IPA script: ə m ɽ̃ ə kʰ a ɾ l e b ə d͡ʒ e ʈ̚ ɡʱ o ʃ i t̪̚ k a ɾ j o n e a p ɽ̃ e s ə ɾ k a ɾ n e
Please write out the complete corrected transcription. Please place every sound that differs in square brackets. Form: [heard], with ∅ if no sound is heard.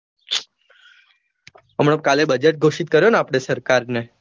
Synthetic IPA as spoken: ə m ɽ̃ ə [k] a [∅] l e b ə d͡ʒ e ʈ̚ ɡʱ o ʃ i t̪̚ k [ə] ɾ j o n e a p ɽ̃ e s ə ɾ k a ɾ n e